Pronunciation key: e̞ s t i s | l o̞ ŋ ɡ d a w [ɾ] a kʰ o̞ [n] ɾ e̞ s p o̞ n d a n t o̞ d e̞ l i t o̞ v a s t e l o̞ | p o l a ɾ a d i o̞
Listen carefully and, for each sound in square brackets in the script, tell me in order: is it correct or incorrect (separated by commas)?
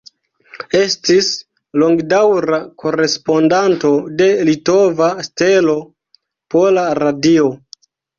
correct, incorrect